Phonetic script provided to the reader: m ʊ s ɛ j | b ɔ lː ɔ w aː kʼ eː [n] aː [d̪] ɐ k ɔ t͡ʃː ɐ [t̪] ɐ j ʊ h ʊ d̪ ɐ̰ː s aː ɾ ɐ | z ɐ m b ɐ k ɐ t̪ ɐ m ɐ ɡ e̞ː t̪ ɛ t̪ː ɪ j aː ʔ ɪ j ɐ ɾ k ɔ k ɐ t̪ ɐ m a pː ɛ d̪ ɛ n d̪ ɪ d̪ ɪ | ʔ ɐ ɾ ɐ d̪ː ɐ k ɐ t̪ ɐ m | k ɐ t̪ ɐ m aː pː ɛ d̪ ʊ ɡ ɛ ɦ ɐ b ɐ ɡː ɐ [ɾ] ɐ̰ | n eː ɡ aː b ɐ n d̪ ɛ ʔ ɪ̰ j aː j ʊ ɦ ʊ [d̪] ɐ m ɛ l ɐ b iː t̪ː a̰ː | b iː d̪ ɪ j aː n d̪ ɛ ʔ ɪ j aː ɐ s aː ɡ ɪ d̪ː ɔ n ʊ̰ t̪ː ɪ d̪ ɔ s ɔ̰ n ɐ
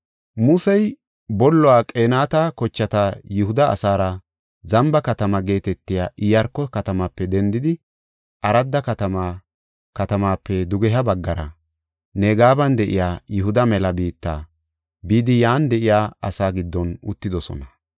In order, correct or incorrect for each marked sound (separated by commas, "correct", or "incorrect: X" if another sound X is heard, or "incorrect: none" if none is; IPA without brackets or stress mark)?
correct, incorrect: t̪, correct, correct, correct